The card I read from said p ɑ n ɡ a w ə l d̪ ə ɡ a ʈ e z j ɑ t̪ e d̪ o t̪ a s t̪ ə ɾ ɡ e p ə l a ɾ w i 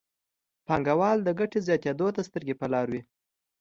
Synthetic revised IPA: p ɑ ŋ ɡ a w ɑ l d̪ ə ɡ a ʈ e z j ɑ t̪ e d̪ o t̪ a s t̪ ə ɾ ɡ e p ə l ɑ ɾ w i